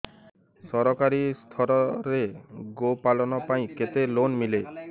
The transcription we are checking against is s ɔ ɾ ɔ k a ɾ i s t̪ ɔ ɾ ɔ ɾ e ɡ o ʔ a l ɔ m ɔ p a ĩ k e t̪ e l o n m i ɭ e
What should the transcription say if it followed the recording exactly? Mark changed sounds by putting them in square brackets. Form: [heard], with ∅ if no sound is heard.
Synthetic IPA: s ɔ ɾ ɔ k a ɾ i s [t̪ʰ] ɔ ɾ ɔ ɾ e ɡ o [p] a l ɔ [n] ɔ p a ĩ k e t̪ e l o n m i [l] e